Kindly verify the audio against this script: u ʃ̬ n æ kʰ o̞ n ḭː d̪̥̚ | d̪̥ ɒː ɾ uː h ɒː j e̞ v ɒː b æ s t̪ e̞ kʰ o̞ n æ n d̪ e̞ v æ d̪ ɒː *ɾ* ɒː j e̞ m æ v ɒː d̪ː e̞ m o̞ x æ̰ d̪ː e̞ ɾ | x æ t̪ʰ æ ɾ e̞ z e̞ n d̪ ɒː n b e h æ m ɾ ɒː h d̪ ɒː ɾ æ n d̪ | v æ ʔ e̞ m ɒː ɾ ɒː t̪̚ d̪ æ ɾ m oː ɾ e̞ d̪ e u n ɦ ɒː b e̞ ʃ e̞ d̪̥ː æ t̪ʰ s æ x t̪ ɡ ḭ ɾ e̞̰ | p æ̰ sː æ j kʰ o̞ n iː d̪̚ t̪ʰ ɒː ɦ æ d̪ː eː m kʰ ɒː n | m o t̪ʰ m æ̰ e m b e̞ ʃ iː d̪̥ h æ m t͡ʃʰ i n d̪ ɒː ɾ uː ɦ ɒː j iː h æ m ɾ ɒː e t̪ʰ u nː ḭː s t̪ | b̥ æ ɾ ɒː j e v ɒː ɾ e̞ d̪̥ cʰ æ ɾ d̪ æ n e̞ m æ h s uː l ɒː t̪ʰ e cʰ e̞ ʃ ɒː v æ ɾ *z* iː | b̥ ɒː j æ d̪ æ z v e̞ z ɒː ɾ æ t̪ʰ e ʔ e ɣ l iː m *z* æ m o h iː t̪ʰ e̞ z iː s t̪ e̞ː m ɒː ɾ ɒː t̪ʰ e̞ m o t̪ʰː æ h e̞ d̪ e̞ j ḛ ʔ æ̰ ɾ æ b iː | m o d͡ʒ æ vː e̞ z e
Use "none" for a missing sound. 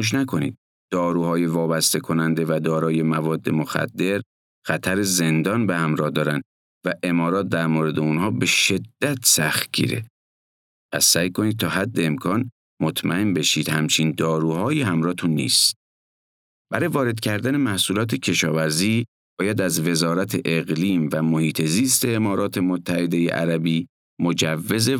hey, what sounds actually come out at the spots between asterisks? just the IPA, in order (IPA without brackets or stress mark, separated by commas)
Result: ɾ, z, v